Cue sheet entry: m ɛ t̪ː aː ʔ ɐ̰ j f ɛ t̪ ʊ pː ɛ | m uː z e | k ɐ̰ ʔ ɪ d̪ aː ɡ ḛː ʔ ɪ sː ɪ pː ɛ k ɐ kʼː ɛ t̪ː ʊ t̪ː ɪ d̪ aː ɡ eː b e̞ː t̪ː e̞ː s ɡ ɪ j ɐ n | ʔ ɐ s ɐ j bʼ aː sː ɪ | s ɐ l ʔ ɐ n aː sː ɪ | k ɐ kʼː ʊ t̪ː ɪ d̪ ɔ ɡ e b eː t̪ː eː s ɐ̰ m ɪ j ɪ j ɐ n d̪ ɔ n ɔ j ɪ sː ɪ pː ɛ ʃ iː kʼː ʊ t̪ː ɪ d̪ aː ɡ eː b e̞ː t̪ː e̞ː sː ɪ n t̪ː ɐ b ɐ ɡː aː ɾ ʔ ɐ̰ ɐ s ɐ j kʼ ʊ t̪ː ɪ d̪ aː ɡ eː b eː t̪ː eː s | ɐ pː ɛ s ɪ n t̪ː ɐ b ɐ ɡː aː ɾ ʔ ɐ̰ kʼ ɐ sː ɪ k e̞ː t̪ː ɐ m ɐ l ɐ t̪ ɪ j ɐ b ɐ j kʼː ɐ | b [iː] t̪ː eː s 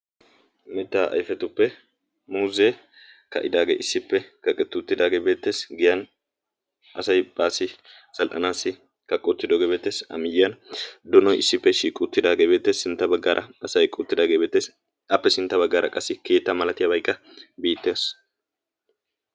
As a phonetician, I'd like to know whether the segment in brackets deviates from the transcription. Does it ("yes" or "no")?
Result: no